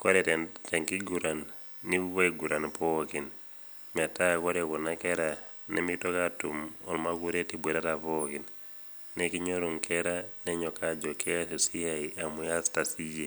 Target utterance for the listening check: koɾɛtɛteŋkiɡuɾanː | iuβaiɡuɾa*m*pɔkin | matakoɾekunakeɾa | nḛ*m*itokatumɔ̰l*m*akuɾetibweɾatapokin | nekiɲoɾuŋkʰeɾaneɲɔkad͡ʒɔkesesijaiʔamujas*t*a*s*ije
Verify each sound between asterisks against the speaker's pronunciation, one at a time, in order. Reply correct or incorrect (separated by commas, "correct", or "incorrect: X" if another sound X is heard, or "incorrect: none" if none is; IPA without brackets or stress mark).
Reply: incorrect: n, correct, correct, correct, correct